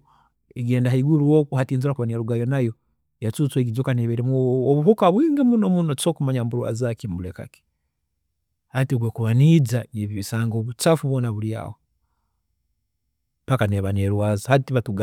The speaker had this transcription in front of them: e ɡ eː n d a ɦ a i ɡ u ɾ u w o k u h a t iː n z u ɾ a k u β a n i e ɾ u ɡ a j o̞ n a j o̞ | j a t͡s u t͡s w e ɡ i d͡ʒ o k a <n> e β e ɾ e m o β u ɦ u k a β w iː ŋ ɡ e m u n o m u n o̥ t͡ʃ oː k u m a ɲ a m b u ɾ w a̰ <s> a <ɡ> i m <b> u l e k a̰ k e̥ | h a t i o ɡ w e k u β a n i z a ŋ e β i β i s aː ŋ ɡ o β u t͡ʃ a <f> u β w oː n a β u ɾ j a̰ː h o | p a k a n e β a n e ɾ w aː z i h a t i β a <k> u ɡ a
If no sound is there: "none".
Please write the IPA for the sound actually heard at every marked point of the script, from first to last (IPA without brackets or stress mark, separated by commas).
n, z, k, b, f, t